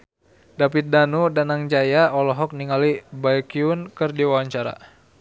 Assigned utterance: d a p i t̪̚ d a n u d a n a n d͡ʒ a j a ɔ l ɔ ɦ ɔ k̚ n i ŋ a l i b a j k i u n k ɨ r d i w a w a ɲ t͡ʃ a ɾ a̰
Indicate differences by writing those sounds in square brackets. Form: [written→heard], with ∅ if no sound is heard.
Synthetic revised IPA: d a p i t̪̚ d a n u d a n a [n→ŋ] d͡ʒ a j a ɔ l ɔ ɦ ɔ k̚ n i ŋ a l i b a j k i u n k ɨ r d i w a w a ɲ t͡ʃ a ɾ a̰